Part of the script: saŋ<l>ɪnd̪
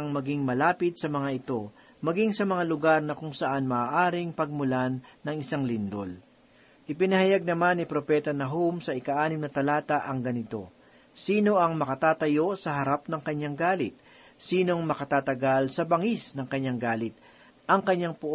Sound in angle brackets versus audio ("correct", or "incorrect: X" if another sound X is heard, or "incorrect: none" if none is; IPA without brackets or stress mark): correct